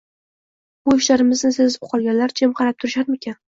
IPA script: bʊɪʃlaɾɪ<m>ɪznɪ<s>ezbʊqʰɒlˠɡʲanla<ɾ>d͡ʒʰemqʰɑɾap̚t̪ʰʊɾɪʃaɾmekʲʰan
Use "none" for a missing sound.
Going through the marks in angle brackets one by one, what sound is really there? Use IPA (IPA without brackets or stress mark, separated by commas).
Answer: m, s, ɾ